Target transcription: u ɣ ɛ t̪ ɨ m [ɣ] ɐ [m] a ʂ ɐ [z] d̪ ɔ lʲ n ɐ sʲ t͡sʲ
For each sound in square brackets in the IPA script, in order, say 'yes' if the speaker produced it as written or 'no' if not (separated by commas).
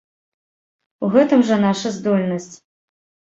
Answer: no, no, yes